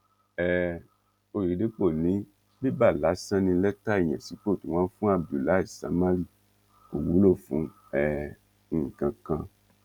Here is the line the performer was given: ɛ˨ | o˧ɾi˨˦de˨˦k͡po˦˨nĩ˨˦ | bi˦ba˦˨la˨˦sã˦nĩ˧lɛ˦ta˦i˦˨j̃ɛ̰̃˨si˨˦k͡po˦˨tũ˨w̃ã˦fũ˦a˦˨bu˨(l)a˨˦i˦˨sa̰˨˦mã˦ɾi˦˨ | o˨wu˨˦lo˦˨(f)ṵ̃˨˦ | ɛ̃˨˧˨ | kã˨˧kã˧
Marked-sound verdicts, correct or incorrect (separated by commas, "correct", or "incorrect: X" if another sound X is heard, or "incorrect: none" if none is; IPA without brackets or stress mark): correct, correct